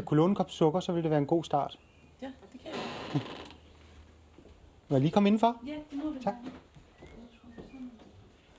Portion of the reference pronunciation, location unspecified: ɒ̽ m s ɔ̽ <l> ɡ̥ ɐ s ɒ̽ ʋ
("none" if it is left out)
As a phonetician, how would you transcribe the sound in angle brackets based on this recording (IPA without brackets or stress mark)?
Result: none